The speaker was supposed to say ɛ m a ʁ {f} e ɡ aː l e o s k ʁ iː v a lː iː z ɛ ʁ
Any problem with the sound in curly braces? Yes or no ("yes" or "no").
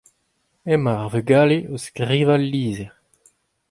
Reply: yes